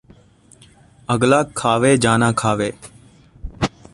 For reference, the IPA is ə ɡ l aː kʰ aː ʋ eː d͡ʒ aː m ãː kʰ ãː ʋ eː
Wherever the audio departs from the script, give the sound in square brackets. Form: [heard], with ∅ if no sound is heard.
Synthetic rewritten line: ə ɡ l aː kʰ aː ʋ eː d͡ʒ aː [n] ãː kʰ [aː] ʋ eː